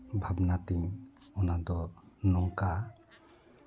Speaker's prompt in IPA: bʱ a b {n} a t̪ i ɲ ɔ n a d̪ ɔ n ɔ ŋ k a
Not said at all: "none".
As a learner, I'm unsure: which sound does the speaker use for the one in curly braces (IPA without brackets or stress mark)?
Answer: n